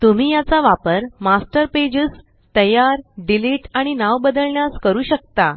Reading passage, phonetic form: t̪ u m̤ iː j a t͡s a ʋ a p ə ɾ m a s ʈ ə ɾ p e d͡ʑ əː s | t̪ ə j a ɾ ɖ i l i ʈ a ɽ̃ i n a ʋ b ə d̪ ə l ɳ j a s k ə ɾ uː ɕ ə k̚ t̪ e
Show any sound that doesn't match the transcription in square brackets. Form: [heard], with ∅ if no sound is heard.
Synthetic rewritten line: t̪ u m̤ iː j a t͡s a ʋ a p ə ɾ m a s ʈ ə ɾ p e d͡ʑ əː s | t̪ ə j a ɾ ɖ i l i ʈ a ɽ̃ i n a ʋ b ə d̪ ə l ɳ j a s k ə ɾ uː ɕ ə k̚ t̪ [a]